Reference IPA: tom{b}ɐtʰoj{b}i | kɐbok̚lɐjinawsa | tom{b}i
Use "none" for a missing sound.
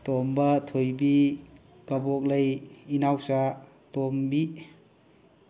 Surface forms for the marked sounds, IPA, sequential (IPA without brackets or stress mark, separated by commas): b, b, b